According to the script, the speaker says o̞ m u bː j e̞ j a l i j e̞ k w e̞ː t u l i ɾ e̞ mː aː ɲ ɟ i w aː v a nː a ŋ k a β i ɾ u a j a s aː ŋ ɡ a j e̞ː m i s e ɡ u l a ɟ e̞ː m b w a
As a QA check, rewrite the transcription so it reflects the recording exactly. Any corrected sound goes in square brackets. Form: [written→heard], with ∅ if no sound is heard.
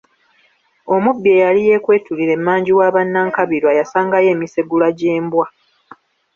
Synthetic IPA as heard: o̞ m u bː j e̞ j a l i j e̞ k w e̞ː t u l i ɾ e̞ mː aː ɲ ɟ i w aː [v→β] a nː a ŋ k a β i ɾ [u→w] a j a s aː ŋ ɡ a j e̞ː m i s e ɡ u l a ɟ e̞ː m b w a